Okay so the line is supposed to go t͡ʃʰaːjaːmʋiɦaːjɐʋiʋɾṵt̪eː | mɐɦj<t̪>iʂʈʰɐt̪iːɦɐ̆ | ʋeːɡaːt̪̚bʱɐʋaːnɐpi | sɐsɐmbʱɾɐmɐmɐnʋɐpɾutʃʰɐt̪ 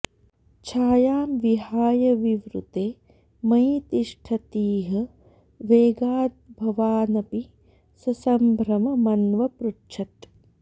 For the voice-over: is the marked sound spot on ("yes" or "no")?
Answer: yes